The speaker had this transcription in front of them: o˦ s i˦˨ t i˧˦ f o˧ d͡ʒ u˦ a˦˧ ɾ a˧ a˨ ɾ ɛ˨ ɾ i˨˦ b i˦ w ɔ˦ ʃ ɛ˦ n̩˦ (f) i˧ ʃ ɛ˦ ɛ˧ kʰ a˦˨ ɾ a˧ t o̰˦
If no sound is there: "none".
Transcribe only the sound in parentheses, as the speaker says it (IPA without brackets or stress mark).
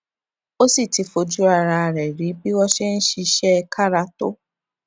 ʃ